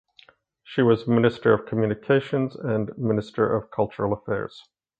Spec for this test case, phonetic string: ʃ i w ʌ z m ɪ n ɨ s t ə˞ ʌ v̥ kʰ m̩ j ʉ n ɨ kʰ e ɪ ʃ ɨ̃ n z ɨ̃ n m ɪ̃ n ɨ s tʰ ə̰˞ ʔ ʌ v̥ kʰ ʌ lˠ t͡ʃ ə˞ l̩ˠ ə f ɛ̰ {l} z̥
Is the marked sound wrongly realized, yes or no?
yes